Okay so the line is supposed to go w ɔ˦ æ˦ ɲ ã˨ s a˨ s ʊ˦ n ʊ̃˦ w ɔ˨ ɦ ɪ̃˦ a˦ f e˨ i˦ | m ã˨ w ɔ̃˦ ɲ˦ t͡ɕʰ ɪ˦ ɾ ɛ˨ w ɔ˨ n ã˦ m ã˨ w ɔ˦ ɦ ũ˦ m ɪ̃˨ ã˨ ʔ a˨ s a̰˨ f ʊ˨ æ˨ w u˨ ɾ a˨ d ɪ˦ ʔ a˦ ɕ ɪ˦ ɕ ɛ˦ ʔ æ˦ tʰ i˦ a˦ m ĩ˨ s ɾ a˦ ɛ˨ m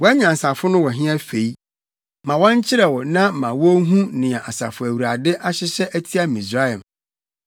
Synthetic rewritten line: w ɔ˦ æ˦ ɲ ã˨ s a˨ f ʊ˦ n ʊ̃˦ w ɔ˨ ɦ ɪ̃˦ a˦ f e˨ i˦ | m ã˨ w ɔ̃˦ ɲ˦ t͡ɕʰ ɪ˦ ɾ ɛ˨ w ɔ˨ n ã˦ m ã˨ w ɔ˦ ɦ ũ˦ n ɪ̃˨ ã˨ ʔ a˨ s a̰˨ f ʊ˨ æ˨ w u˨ ɾ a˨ d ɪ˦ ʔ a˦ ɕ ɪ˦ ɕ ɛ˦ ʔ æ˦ tʰ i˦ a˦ m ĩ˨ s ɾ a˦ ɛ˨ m

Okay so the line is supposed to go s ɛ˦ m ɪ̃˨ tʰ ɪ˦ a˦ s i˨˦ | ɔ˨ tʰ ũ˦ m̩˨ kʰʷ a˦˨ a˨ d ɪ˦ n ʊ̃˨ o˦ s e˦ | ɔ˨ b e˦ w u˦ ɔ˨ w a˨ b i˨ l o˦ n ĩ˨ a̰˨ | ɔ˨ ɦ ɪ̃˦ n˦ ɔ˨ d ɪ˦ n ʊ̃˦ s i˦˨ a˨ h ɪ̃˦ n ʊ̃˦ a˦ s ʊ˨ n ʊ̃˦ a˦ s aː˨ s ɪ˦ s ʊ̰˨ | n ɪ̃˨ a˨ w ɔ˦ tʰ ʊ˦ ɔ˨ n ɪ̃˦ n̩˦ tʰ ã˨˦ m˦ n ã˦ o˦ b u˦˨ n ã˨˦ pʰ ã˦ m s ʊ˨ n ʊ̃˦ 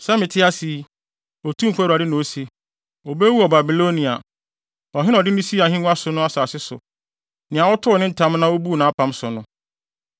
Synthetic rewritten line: s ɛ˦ m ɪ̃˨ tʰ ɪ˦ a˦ s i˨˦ | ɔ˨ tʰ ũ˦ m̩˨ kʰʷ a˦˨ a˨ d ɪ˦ n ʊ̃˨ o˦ s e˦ | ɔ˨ b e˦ w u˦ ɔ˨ b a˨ b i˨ l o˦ n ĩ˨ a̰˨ | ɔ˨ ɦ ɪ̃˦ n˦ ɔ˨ d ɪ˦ n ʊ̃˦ s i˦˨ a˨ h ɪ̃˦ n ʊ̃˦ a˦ s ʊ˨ n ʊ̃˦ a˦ s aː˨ s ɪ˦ s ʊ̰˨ | n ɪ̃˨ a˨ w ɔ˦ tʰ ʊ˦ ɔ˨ n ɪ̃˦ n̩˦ tʰ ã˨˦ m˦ n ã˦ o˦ b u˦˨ n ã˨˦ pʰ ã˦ m s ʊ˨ n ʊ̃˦

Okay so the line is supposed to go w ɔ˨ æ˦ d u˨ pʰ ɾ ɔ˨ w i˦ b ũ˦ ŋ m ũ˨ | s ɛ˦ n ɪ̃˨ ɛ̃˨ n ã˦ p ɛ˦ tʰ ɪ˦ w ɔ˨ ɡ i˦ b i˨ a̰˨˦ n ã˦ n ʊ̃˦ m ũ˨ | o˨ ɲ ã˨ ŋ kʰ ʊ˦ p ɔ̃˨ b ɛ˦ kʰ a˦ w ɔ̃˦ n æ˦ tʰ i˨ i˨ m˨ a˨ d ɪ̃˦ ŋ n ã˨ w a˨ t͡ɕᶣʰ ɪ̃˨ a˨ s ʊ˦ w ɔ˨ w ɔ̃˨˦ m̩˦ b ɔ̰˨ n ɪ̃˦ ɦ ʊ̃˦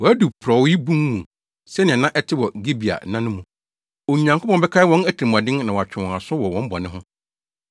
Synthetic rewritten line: w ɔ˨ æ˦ d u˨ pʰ ɾ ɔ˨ w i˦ b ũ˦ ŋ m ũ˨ | s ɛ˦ n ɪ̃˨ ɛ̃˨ n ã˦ ʔ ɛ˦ tʰ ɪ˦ w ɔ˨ ɡ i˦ b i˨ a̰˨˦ n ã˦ n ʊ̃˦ m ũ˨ | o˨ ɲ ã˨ ŋ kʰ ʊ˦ p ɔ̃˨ b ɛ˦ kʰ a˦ w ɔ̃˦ n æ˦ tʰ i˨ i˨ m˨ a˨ d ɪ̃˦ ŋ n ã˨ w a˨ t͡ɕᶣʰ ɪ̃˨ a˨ s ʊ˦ w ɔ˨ w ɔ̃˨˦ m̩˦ b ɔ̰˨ n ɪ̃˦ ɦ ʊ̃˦

